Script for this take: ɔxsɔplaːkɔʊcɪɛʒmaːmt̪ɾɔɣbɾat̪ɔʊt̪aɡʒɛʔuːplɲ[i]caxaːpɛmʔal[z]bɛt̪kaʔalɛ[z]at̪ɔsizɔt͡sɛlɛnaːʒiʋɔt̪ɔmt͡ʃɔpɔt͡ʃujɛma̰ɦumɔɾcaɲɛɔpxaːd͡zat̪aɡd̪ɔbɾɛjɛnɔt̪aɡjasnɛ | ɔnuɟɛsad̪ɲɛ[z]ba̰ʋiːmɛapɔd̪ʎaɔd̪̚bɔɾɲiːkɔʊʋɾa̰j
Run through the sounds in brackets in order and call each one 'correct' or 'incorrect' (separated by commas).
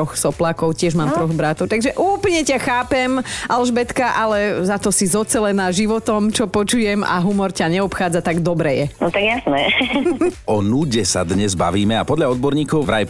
incorrect, incorrect, correct, correct